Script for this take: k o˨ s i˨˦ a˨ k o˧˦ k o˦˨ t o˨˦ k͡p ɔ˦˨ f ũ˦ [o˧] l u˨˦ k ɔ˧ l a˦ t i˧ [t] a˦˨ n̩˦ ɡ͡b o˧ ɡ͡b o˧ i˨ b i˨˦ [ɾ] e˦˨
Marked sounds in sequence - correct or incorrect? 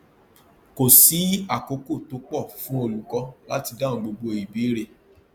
correct, incorrect: d, correct

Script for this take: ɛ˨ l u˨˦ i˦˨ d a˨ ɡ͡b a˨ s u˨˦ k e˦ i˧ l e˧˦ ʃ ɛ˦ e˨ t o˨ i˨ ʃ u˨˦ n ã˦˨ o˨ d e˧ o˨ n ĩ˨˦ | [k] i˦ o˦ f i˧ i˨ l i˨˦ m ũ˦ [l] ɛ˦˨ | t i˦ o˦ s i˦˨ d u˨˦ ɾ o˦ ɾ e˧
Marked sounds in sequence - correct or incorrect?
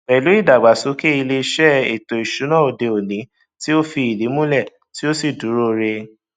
incorrect: t, correct

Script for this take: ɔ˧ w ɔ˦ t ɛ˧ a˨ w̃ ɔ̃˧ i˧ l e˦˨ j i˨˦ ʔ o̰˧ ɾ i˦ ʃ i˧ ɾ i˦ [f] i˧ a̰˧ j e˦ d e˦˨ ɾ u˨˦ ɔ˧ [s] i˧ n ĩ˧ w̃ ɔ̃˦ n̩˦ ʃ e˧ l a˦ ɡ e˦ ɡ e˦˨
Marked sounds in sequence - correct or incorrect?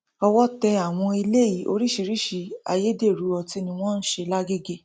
incorrect: ʃ, incorrect: t

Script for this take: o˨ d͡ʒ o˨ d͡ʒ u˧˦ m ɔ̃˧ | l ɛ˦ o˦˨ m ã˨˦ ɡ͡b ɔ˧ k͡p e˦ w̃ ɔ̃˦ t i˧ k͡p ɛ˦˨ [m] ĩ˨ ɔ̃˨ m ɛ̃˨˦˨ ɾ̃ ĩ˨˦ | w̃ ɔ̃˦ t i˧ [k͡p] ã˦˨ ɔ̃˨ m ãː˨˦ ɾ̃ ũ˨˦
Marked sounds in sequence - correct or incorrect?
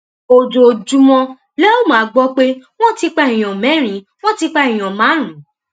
incorrect: none, correct

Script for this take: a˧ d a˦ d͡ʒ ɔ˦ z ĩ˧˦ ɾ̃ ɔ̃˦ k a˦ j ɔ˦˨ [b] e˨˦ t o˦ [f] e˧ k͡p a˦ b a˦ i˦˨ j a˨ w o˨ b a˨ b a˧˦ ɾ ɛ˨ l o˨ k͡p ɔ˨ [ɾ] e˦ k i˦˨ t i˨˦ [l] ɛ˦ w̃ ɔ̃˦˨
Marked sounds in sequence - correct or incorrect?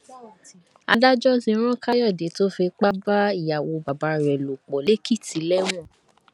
incorrect: d, correct, incorrect: l, correct

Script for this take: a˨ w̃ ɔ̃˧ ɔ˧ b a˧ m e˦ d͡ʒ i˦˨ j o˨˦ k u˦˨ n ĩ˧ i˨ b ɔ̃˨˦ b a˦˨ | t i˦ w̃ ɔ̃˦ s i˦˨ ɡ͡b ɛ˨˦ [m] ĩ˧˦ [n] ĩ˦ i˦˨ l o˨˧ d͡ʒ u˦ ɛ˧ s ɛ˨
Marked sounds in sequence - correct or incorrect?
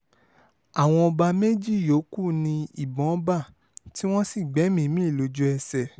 correct, incorrect: m

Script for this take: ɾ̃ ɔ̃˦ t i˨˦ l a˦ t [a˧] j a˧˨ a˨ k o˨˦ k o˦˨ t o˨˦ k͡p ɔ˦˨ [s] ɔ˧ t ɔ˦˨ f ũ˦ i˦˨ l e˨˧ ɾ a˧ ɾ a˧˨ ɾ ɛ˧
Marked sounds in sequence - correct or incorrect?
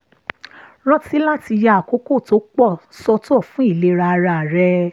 incorrect: i˧, correct

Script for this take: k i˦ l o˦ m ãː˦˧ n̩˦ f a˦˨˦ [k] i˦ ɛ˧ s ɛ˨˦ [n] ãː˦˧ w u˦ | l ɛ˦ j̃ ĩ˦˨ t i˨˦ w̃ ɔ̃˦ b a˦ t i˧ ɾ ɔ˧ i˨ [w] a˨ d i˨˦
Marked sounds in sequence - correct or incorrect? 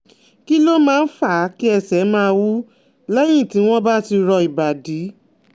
correct, incorrect: m, incorrect: b

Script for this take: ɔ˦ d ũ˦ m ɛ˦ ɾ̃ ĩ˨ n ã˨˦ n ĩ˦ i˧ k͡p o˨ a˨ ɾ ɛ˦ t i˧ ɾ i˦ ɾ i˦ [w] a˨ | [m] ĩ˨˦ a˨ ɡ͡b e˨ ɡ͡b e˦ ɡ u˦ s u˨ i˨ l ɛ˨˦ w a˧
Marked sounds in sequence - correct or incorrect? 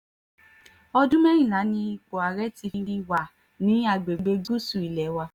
correct, incorrect: n

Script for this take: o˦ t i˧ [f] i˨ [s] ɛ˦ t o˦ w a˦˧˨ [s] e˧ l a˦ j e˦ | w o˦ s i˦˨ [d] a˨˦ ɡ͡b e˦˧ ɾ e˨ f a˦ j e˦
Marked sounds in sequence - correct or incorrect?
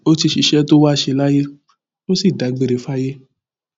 incorrect: ʃ, incorrect: ʃ, incorrect: ʃ, correct

